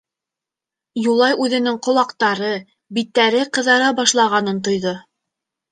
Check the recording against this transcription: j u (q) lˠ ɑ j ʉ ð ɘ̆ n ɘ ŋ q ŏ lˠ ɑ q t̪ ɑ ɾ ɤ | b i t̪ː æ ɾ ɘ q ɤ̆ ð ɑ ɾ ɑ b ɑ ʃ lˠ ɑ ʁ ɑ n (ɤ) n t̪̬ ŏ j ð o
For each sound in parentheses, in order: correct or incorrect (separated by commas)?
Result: incorrect, correct